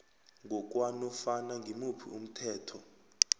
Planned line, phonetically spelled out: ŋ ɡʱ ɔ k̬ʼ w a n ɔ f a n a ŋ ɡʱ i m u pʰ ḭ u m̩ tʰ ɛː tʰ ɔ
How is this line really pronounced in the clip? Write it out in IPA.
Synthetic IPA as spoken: ŋ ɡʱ ɔ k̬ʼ w a n ɔ f a n a ŋ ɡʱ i m u pʰ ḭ u m̩ tʰ ɛː tʰ ɔ